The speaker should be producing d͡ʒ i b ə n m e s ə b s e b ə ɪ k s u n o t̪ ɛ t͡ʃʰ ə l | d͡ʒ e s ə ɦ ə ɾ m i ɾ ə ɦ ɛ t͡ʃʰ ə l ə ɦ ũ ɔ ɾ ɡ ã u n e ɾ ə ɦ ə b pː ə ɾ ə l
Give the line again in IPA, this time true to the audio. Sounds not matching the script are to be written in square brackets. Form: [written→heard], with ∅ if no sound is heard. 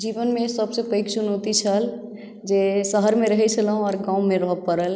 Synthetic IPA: d͡ʒ i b ə n m e s ə b s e [b→p] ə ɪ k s u n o t̪ [ɛ→i] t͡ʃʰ ə l | d͡ʒ e s ə ɦ ə ɾ m [i→e] ɾ ə ɦ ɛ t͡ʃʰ ə l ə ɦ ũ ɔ ɾ ɡ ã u [n→m] e ɾ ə ɦ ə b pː ə ɾ ə l